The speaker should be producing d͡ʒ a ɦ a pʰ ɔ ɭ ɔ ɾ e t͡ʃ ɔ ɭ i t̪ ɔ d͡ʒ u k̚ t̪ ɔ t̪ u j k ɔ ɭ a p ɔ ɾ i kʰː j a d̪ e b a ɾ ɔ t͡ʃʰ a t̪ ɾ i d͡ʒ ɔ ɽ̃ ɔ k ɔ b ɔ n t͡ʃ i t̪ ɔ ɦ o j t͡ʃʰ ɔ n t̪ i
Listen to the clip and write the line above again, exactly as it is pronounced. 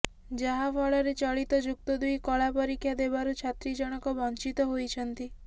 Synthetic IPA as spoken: d͡ʒ a ɦ a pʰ ɔ ɭ ɔ ɾ e t͡ʃ ɔ ɭ i t̪ ɔ d͡ʒ u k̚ t̪ ɔ d̪ u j k ɔ ɭ a p ɔ ɾ i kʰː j a d̪ e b a ɾ u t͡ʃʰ a t̪ ɾ i d͡ʒ ɔ ɽ̃ ɔ k ɔ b ɔ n t͡ʃ i t̪ ɔ ɦ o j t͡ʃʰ ɔ n t̪ i

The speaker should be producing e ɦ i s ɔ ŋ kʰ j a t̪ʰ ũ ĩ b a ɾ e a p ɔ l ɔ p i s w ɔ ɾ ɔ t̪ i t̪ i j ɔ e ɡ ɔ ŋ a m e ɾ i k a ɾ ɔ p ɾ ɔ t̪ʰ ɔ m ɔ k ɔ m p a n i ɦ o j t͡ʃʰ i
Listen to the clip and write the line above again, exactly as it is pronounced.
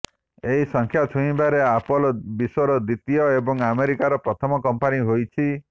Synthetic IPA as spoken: e ɦ i s ɔ ŋ kʰ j a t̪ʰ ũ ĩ b a ɾ e a p ɔ l ɔ b i s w ɔ ɾ ɔ d̪ i t̪ i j ɔ e b ɔ ŋ a m e ɾ i k a ɾ ɔ p ɾ ɔ t̪ʰ ɔ m ɔ k ɔ m p a n i ɦ o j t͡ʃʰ i

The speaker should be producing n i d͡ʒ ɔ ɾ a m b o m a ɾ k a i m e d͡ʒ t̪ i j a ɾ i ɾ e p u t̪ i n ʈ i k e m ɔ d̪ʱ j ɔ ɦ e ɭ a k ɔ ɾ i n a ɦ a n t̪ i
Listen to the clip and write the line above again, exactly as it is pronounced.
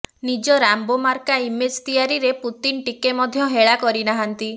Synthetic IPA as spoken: n i d͡ʒ ɔ ɾ a m b o m a ɾ k a i m e d͡ʒ t̪ i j a ɾ i ɾ e p u t̪ i n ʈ i k e m ɔ d̪ʱ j ɔ ɦ e ɭ a k ɔ ɾ i n a ɦ a n t̪ i

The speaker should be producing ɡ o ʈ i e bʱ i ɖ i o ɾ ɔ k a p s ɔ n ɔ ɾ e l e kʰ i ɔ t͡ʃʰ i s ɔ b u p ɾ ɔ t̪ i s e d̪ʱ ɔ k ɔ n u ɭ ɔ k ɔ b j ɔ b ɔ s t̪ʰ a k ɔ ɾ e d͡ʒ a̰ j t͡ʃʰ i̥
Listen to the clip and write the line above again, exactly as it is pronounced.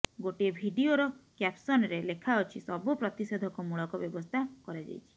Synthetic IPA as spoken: ɡ o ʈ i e bʱ i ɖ i o ɾ ɔ k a p s ɔ n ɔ ɾ e l e kʰ a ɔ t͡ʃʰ i s ɔ b u p ɾ ɔ t̪ i s e d̪ʱ ɔ k ɔ m u ɭ ɔ k ɔ b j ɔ b ɔ s t̪ʰ a k ɔ ɾ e d͡ʒ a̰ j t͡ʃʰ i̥

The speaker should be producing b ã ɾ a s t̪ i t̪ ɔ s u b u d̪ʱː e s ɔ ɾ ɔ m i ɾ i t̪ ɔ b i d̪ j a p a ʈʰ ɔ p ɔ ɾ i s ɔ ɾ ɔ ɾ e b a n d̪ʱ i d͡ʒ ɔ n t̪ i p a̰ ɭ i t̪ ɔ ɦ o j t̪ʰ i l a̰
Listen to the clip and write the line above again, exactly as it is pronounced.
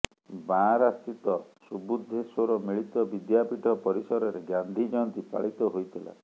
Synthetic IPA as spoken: b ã ɾ a s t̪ i t̪ ɔ s u b u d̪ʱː e s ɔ ɾ ɔ m i ɭ i t̪ ɔ b i d̪ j a p i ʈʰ ɔ p ɔ ɾ i s ɔ ɾ ɔ ɾ e ɡ a n d̪ʱ i d͡ʒ ɔ n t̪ i p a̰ ɭ i t̪ ɔ ɦ o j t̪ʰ i l a̰

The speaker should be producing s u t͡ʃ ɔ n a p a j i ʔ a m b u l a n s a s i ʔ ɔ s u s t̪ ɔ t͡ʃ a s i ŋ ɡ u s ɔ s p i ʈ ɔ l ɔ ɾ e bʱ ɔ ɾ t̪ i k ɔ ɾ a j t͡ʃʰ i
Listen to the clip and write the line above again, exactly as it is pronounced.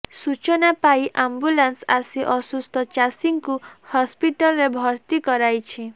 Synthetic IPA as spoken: s u t͡ʃ ɔ n a p a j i ʔ a m b u l a n s a s i ʔ ɔ s u s t̪ ɔ t͡ʃ a s i ŋ k u h ɔ s p i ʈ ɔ l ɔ ɾ e bʱ ɔ ɾ t̪ i k ɔ ɾ a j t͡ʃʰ i

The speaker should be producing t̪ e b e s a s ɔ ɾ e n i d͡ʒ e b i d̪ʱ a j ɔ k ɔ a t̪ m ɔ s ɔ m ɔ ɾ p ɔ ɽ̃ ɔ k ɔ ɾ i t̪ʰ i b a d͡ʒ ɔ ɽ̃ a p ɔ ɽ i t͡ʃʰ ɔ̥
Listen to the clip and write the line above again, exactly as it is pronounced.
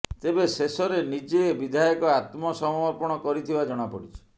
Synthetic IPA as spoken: t̪ e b e s e s ɔ ɾ e n i d͡ʒ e b i d̪ʱ a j ɔ k ɔ a t̪ m ɔ s ɔ m ɔ ɾ p ɔ ɽ̃ ɔ k ɔ ɾ i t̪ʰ i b a d͡ʒ ɔ ɽ̃ a p ɔ ɽ i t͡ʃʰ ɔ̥

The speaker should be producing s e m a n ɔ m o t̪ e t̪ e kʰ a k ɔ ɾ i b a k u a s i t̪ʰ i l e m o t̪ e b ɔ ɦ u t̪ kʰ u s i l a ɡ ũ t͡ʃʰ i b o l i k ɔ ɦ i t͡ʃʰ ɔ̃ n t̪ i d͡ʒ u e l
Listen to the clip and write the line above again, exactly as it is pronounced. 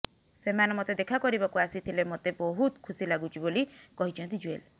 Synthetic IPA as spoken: s e m a n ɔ m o t̪ e d̪ e kʰ a k ɔ ɾ i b a k u a s i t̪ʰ i l e m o t̪ e b ɔ ɦ u t̪ kʰ u s i l a ɡ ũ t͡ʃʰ i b o l i k ɔ ɦ i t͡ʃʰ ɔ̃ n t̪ i d͡ʒ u e l

